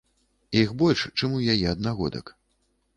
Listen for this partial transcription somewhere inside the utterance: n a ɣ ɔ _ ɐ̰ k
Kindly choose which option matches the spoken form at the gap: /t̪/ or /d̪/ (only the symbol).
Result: d̪